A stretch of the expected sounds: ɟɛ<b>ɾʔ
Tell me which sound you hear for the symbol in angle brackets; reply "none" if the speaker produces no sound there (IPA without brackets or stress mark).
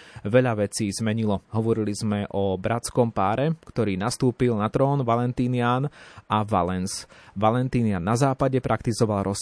p